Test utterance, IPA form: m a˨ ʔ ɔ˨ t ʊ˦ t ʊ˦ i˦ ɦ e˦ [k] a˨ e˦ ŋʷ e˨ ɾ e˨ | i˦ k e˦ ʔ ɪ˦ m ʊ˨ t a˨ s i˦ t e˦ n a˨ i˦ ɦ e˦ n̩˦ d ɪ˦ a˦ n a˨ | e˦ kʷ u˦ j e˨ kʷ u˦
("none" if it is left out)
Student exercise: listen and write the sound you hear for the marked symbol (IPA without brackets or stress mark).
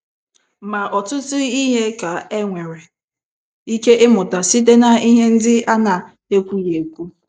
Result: k